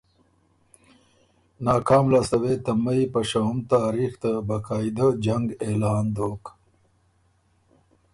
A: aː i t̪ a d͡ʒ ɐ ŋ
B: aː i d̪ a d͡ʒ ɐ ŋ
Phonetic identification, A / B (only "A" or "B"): B